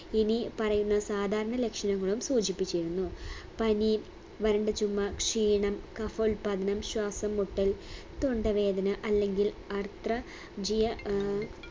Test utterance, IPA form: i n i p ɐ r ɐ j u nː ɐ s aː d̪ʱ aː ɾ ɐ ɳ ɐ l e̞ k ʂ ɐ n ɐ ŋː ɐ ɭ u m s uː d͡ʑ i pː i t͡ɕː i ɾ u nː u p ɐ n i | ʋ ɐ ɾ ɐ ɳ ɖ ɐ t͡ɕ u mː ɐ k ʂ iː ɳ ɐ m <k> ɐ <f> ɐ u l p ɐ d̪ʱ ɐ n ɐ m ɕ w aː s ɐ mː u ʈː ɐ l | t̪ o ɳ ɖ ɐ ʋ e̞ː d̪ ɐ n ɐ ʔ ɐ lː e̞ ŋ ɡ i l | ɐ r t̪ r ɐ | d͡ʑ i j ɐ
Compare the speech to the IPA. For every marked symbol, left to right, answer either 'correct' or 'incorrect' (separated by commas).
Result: correct, correct